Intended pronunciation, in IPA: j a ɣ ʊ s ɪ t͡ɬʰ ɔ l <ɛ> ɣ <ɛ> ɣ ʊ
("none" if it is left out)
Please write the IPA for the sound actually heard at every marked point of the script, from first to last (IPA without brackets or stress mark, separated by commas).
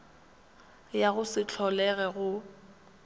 ɛ, ɛ